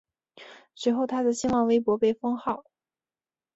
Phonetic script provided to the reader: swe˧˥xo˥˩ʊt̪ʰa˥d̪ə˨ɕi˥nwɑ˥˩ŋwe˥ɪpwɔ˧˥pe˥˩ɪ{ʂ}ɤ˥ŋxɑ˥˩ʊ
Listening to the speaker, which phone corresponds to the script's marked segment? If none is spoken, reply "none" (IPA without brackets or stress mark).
f